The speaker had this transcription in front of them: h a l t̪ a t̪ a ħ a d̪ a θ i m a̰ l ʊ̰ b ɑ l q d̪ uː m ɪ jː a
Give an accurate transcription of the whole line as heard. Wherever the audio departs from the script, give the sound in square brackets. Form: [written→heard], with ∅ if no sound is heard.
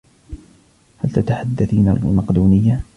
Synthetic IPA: h a l t̪ a t̪ a ħ a [d̪→d̪ː] a θ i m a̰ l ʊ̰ [b→m] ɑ [l→∅] q d̪ uː [m→n] ɪ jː a